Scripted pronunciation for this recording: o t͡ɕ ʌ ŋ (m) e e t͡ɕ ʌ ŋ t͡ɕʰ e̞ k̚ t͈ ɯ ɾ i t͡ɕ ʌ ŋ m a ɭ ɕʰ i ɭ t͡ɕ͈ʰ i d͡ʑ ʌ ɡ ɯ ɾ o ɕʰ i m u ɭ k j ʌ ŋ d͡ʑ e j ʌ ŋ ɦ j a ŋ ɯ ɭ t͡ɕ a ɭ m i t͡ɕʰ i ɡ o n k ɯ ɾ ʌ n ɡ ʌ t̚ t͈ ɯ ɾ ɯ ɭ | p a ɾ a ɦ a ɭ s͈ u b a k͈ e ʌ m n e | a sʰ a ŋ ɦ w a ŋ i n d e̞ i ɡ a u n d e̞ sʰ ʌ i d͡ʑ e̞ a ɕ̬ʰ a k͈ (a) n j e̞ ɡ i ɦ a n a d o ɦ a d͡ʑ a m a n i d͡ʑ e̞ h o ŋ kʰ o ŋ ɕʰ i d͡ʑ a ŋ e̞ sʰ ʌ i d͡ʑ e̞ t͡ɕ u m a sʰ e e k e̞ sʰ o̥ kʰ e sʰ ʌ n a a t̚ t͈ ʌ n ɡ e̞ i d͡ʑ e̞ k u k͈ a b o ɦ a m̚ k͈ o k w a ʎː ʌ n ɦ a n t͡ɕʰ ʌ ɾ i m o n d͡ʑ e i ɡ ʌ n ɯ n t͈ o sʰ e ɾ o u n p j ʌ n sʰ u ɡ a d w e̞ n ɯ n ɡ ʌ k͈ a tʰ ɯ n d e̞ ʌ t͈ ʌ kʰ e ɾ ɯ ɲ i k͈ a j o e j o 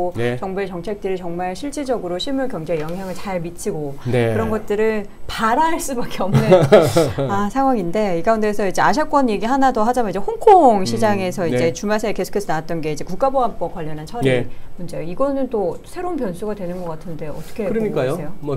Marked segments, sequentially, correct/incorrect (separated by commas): incorrect, incorrect